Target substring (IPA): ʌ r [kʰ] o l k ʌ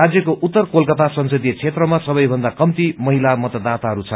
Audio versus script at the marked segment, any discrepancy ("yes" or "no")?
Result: yes